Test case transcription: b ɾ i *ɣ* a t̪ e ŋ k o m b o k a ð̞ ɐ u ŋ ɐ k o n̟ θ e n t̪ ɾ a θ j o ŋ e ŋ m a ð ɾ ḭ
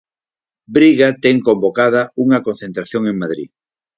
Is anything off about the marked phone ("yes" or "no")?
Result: no